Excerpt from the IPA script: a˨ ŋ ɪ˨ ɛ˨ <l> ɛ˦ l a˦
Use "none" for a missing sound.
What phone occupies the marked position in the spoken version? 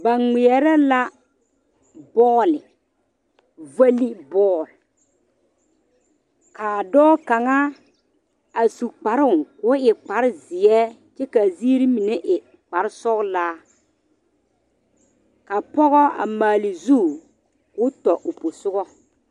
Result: ɾ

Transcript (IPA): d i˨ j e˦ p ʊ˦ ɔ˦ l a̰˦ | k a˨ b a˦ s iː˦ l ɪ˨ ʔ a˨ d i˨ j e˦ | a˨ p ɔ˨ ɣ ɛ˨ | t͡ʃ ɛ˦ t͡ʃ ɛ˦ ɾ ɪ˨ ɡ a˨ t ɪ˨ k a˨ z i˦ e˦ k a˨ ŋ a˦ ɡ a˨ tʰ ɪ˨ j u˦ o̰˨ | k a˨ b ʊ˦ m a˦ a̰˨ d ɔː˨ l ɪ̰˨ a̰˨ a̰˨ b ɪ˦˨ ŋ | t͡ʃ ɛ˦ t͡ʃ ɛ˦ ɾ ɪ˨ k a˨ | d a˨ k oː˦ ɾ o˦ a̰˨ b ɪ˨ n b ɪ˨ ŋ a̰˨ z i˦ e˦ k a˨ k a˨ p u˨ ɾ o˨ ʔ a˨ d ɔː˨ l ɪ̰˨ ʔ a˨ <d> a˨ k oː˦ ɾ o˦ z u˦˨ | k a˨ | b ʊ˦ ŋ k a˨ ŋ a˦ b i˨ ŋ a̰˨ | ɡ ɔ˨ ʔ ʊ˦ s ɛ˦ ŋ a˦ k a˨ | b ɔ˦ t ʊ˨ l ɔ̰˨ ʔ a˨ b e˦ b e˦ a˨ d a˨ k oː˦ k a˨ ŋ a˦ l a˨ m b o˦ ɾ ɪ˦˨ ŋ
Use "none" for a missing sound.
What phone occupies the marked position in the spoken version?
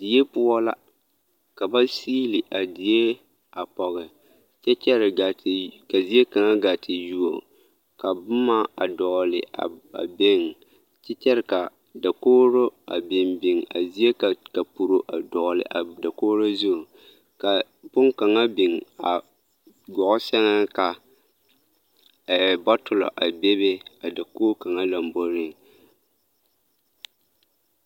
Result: d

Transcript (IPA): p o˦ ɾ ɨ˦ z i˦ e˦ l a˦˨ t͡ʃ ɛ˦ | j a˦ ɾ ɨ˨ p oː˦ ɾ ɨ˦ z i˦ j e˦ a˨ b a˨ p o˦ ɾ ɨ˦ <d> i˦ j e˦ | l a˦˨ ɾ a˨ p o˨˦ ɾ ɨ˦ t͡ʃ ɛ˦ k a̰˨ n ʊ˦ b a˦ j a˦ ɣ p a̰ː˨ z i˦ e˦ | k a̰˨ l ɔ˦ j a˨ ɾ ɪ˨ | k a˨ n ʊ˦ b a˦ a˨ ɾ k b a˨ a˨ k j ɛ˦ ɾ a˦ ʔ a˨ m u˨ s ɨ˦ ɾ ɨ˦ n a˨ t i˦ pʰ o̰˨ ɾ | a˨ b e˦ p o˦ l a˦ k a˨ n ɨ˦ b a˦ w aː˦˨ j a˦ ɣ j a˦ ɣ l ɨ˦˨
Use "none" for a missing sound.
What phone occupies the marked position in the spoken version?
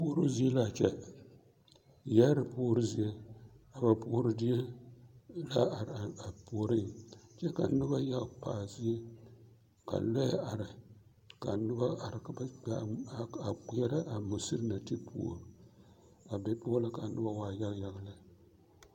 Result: d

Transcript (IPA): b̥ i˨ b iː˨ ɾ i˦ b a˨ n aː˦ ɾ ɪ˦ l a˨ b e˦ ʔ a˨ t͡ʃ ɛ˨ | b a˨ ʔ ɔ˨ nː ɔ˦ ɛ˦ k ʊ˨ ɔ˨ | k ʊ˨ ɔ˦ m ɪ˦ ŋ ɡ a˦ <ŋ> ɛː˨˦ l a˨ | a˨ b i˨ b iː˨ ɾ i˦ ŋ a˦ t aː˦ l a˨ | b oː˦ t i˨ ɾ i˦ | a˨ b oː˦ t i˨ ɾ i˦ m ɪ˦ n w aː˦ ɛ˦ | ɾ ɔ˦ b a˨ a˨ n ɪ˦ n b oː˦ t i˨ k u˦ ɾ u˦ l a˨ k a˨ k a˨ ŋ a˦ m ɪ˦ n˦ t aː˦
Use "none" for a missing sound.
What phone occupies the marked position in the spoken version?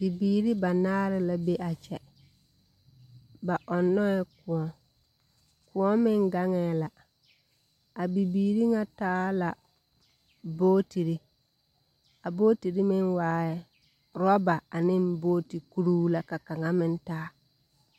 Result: ŋ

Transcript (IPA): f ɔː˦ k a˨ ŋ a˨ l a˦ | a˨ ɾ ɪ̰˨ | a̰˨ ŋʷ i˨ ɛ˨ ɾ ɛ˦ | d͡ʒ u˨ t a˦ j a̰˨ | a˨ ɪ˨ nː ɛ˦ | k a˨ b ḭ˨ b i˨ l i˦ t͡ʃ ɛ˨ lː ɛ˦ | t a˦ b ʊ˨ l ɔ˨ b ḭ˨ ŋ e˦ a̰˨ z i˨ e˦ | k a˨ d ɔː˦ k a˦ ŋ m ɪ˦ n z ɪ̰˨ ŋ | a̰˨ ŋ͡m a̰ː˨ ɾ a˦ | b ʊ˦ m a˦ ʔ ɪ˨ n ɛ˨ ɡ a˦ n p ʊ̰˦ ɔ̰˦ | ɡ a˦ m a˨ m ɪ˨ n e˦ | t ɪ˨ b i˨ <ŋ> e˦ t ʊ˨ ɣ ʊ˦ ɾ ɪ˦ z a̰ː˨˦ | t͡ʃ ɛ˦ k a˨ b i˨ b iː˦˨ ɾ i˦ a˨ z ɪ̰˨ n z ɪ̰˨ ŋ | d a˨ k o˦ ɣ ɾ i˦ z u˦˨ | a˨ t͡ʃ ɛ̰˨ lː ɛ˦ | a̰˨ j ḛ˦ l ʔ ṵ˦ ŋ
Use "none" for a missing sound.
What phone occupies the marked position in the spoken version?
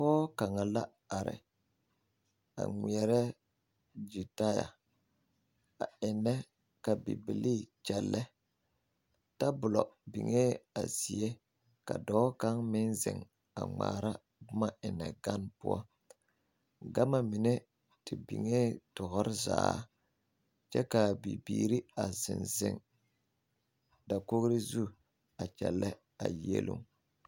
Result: ŋ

